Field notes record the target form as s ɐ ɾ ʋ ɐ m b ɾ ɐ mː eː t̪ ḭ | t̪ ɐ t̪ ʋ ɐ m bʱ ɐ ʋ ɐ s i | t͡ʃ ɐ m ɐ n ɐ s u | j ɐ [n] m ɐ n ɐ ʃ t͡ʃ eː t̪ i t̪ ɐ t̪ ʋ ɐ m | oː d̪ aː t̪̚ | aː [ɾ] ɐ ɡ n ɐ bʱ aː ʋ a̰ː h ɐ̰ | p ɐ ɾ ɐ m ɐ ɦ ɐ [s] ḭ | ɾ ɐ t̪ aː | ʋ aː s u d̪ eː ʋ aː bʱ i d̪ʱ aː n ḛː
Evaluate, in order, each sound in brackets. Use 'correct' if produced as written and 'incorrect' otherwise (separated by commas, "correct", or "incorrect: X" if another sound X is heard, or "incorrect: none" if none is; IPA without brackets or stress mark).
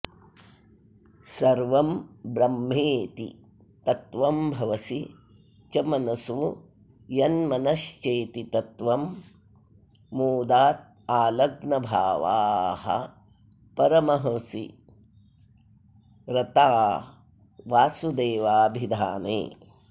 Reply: correct, incorrect: l, correct